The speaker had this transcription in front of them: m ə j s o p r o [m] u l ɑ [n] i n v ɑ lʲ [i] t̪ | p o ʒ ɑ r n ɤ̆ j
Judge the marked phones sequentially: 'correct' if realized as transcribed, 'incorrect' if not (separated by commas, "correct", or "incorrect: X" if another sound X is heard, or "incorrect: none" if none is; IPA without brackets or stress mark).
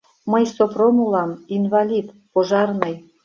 correct, incorrect: m, correct